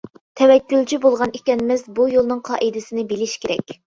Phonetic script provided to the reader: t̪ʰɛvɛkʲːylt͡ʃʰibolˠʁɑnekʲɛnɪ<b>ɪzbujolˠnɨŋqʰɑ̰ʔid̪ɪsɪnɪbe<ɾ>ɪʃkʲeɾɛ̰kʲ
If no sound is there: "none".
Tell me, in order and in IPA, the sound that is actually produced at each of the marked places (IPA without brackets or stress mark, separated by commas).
m, l